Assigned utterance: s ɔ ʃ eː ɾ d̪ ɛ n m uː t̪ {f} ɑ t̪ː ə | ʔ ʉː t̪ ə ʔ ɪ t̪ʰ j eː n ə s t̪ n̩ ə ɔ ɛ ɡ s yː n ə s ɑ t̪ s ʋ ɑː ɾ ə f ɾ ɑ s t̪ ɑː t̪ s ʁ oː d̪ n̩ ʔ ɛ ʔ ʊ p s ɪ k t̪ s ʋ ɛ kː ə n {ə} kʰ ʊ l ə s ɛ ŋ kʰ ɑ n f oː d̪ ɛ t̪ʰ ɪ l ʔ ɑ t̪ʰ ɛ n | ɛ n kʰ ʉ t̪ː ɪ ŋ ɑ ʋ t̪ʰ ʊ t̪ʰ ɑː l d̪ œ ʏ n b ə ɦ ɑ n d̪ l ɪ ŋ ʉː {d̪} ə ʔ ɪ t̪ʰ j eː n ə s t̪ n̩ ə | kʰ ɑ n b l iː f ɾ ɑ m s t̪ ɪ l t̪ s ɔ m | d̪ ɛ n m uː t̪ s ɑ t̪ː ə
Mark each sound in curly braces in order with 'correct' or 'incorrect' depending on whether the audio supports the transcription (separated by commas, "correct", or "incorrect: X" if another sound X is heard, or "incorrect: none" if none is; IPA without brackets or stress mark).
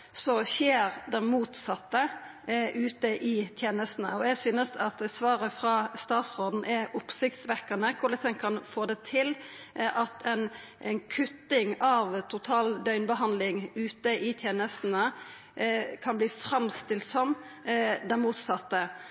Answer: incorrect: s, correct, incorrect: t̪